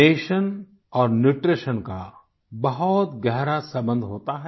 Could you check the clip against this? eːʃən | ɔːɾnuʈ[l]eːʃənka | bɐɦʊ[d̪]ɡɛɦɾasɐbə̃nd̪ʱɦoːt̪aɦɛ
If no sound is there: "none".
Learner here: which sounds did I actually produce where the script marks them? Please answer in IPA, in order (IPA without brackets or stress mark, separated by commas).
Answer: ɾ, t̪